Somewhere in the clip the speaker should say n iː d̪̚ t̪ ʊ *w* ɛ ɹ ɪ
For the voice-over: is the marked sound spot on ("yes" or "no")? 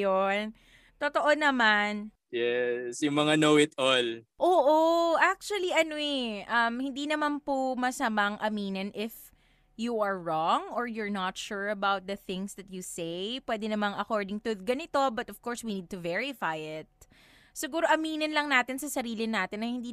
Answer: no